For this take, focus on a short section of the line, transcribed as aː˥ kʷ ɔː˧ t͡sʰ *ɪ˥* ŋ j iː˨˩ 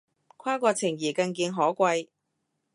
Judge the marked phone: incorrect: ɪ˨˩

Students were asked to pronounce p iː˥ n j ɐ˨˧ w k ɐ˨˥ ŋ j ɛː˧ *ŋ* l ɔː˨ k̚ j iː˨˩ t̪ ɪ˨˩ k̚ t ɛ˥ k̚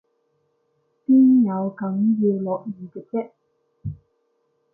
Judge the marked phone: incorrect: none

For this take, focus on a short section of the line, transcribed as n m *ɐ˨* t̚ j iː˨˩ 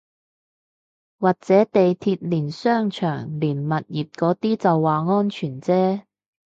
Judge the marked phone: correct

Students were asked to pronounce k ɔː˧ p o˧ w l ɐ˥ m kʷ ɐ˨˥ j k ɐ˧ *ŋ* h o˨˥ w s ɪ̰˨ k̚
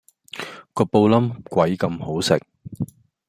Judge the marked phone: incorrect: m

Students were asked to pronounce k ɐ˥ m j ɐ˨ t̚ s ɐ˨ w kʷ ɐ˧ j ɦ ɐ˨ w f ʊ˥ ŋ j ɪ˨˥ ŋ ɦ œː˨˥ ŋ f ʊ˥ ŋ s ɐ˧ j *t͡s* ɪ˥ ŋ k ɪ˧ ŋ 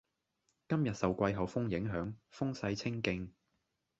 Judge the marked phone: incorrect: t͡sʰ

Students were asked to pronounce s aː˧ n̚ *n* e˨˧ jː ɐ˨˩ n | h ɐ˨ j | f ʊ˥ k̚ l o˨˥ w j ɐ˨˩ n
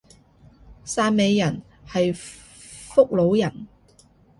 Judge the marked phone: incorrect: m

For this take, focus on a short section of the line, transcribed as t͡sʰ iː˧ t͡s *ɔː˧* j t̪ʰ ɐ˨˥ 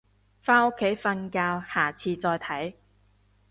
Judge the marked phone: correct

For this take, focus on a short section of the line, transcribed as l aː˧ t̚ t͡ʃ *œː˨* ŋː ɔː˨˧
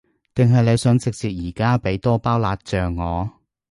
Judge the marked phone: correct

